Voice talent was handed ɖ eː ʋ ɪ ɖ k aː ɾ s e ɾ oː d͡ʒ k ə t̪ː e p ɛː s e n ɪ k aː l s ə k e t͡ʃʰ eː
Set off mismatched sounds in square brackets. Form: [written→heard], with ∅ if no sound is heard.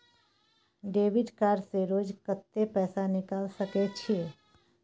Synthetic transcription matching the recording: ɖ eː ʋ ɪ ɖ k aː ɾ s e ɾ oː d͡ʒ k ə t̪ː e p ɛː s [e→a] n ɪ k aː l s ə k e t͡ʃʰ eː